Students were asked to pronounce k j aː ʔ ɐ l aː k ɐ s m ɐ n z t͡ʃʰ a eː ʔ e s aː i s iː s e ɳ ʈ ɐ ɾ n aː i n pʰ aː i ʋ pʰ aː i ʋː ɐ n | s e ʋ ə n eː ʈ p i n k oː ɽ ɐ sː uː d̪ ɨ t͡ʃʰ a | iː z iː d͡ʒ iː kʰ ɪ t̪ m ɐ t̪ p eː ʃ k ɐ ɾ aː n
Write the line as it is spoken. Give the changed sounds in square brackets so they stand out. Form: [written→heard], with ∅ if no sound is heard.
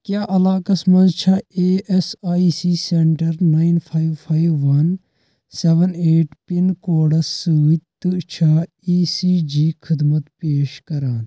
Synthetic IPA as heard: k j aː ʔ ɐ l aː k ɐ s m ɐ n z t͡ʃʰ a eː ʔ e s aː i s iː s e ɳ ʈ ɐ ɾ n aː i n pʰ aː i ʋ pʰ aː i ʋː ɐ n | s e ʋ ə n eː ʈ p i n k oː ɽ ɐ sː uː [d̪→t̪] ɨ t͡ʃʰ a | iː [z→s] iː d͡ʒ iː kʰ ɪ [t̪→d̪] m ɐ t̪ p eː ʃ k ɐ ɾ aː n